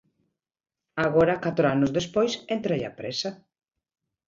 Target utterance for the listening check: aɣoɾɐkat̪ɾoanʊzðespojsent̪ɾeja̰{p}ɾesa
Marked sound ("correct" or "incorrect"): correct